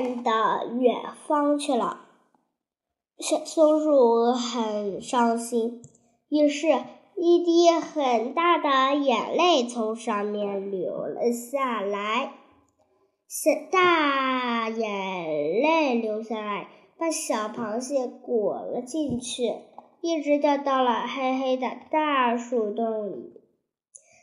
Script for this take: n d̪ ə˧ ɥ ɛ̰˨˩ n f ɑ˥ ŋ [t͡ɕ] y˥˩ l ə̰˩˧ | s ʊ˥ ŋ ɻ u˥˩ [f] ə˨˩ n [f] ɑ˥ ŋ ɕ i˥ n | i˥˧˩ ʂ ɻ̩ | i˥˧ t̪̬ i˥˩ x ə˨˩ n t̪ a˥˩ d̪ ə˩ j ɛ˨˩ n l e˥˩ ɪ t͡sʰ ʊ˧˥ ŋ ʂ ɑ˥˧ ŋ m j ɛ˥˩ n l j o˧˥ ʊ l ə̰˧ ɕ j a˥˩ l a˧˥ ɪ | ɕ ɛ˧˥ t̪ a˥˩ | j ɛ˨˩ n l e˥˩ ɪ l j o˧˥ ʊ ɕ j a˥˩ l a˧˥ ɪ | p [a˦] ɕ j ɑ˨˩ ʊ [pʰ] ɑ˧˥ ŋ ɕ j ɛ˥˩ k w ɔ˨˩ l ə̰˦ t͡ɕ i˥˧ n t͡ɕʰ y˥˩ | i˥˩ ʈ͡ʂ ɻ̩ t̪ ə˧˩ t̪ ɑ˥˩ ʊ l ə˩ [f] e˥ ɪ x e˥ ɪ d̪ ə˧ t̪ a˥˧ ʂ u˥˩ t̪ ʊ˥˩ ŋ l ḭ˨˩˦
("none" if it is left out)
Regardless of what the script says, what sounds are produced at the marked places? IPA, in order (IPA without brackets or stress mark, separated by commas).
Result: t͡ɕʰ, x, ʂ, a˥˩, pʰ, x